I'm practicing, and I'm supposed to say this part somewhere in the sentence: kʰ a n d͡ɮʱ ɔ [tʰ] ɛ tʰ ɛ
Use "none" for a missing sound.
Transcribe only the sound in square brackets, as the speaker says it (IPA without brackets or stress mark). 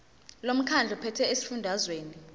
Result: pʰ